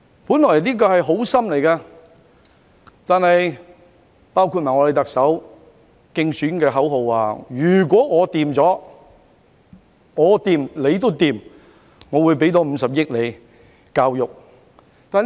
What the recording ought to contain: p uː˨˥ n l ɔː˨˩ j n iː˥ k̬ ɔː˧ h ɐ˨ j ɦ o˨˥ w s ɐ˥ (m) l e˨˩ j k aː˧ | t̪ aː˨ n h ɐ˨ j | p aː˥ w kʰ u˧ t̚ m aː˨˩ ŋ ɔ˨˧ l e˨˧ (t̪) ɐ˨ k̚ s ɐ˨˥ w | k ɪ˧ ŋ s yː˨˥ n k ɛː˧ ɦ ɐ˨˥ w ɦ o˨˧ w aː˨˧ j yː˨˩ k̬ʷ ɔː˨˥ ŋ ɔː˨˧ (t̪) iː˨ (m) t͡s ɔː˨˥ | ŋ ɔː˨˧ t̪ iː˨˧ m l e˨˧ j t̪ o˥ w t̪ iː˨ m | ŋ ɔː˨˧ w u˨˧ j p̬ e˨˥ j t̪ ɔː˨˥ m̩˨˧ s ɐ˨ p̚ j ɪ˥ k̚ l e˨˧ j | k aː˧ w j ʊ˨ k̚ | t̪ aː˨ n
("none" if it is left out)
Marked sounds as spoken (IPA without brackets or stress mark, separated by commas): m, t̪, t̪, m